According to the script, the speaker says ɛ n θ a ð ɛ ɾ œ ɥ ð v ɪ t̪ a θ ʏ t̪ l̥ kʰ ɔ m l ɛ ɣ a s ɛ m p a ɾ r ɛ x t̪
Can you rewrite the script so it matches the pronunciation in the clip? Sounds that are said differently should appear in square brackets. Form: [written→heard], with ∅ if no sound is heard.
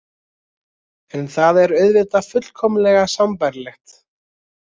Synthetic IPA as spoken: ɛ n θ a ð ɛ ɾ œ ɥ ð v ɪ t̪ a [θ→f] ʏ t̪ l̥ kʰ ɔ m l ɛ ɣ a s [ɛ→a] m p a ɾ [r→l] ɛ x t̪